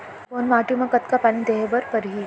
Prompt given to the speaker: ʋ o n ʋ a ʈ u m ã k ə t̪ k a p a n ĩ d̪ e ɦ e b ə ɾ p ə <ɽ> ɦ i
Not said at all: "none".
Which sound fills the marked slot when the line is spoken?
ɾ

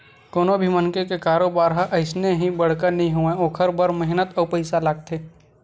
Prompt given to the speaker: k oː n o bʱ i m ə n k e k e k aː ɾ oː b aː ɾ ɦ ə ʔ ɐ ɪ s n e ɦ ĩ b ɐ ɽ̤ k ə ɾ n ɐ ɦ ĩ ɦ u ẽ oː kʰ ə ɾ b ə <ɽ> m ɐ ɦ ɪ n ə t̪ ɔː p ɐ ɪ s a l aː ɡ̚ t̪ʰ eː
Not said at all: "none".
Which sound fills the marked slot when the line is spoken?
ɾ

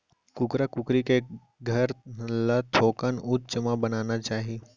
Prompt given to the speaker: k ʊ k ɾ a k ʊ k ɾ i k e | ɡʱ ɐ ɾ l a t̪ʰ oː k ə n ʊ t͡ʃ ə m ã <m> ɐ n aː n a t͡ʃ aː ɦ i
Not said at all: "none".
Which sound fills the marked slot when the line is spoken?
b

